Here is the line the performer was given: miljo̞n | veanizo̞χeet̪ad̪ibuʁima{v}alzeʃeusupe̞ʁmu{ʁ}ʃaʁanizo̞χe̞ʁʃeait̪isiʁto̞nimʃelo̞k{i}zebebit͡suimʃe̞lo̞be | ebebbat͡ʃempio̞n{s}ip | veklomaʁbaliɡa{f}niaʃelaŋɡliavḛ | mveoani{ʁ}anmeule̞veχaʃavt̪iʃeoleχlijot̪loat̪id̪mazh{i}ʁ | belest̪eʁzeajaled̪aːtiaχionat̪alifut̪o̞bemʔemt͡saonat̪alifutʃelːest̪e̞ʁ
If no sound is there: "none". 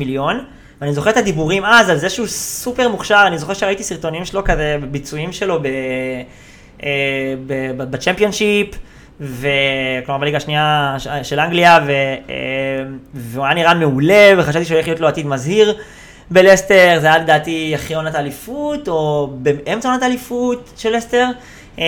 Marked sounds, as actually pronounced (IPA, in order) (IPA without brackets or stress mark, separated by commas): z, χ, a, ʃ, ʃ, ʁ, i